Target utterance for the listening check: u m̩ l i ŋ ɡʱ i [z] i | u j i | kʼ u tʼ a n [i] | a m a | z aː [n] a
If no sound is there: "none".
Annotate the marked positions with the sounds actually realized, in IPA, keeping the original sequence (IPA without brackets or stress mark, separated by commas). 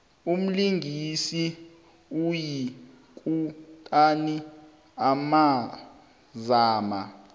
s, i, m